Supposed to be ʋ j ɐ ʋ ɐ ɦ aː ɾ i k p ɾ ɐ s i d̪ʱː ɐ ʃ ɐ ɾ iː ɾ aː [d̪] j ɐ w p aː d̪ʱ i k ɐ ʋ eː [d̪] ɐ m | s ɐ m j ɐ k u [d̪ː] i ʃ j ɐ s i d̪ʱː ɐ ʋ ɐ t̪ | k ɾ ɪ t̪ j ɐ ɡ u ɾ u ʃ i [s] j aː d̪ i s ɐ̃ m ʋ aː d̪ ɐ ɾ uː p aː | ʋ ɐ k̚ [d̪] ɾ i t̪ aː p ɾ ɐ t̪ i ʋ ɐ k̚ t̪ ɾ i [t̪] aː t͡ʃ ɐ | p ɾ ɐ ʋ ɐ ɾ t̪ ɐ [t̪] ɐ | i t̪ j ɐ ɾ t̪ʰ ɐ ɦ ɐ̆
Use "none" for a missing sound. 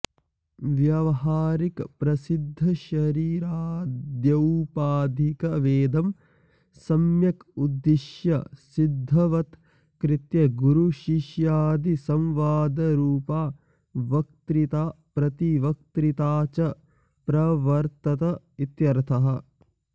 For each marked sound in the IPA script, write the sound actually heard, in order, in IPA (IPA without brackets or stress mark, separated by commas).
d̪, d̪, d̪ː, ʃ, t̪, t̪, t̪